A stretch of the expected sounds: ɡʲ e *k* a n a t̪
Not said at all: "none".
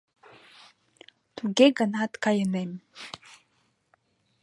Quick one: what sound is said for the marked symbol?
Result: ɡ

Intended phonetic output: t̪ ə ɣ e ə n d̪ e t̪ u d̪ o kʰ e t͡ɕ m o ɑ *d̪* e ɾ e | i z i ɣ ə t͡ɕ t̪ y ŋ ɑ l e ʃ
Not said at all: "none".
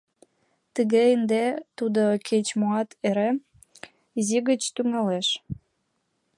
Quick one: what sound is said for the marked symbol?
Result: t̪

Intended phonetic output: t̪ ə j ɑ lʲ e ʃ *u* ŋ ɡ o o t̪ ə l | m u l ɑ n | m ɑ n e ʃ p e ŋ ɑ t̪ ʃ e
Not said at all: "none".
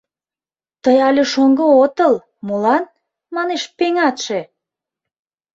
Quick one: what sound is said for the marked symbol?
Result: o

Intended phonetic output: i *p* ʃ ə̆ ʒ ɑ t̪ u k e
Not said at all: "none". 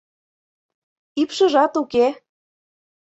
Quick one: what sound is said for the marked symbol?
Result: p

